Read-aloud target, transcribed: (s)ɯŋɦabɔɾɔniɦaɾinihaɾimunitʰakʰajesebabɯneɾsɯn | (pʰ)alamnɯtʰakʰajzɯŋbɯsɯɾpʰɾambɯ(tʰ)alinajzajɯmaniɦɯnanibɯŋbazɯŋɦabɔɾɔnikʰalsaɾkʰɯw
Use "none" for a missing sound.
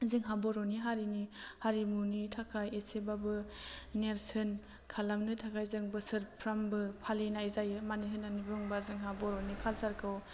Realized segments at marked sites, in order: z, kʰ, pʰ

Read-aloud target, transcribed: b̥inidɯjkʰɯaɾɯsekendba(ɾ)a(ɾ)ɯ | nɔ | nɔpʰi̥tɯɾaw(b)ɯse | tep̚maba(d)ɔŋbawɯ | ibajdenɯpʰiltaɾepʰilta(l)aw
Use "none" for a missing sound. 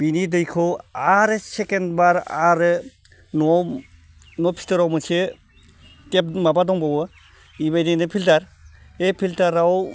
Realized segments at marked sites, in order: ɾ, ɾ, m, d, ɾ

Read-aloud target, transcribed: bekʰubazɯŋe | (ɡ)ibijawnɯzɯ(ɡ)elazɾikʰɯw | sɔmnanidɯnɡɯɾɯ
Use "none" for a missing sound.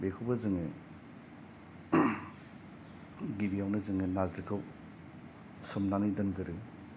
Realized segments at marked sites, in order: ɡ, ŋ

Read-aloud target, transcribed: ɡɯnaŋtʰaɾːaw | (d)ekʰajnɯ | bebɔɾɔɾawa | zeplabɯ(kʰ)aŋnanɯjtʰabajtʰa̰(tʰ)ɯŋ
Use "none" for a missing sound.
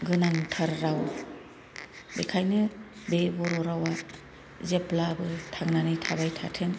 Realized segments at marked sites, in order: b, tʰ, tʰ

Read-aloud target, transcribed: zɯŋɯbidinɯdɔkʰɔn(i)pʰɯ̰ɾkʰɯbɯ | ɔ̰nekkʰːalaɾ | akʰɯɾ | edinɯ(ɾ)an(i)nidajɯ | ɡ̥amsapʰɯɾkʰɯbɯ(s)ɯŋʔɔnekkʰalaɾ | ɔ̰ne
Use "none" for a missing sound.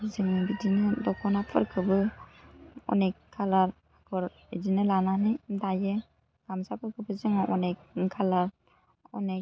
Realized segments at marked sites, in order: a, l, a, z

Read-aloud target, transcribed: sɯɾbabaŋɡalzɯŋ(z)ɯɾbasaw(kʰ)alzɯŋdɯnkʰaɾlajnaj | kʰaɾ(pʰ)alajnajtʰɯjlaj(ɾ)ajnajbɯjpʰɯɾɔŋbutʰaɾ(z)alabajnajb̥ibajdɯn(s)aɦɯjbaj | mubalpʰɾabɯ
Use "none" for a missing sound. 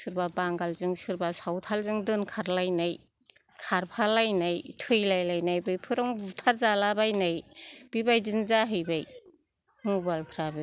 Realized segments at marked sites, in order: s, tʰ, pʰ, l, z, z

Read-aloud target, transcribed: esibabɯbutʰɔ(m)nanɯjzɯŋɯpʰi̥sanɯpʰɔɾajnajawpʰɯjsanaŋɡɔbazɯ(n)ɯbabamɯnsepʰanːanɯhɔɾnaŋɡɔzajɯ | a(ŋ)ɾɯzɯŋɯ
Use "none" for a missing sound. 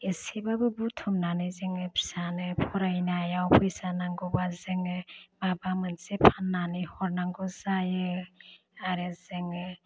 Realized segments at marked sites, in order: m, ŋ, none

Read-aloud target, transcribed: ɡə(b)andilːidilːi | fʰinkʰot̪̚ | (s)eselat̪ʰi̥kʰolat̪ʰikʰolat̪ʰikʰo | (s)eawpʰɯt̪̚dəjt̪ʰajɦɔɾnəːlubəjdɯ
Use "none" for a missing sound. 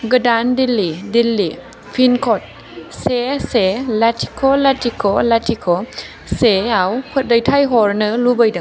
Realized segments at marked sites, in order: d, s, s

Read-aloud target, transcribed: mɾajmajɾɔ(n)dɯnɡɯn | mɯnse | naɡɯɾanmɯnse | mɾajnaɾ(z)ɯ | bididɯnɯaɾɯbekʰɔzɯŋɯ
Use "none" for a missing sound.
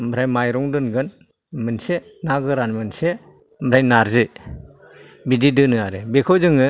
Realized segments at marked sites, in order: ŋ, z

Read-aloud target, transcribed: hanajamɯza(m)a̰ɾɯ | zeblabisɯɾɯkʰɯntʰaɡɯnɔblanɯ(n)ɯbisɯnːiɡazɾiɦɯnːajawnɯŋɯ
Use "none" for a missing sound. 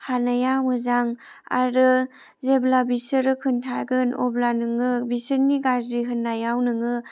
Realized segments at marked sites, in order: ŋ, ŋ

